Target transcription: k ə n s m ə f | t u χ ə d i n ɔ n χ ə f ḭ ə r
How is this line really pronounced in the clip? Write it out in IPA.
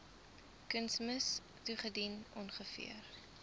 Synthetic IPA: k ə n s m ə s | t u χ ə d i n ɔ n χ ə f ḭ ə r